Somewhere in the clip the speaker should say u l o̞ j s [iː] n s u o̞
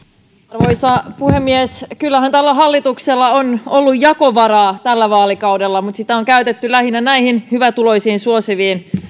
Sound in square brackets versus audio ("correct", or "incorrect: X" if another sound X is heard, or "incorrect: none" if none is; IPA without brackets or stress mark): correct